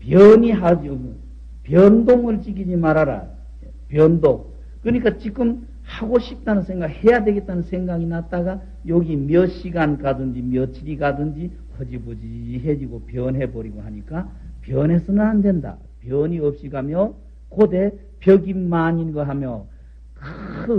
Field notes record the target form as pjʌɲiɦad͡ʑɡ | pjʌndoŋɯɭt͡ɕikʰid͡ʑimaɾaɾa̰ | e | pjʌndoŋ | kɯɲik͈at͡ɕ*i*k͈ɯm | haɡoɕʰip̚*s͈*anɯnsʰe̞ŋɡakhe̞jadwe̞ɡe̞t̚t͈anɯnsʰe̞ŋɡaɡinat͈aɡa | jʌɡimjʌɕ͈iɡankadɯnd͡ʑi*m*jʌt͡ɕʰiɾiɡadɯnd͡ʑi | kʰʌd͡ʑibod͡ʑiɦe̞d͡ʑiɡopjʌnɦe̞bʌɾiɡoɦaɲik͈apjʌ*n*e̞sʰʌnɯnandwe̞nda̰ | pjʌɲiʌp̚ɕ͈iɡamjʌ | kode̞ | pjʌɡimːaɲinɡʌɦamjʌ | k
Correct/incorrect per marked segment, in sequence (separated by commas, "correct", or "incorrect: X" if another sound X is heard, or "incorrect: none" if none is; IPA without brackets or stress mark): correct, incorrect: t͈, correct, correct